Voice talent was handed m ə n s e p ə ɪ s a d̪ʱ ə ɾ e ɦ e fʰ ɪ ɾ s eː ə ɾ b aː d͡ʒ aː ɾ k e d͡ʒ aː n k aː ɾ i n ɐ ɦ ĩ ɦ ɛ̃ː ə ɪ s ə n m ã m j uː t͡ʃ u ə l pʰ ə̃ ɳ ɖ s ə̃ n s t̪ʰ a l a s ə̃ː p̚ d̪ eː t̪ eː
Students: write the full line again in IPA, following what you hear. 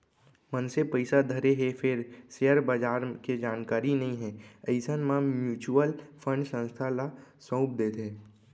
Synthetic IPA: m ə n s e p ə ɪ s a d̪ʱ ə ɾ e ɦ e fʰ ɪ ɾ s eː ə ɾ b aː d͡ʒ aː ɾ k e d͡ʒ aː n k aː ɾ i n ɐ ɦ ĩ ɦ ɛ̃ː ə ɪ s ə n m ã m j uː t͡ʃ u ə l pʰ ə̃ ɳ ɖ s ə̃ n s t̪ʰ a l a s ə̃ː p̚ d̪ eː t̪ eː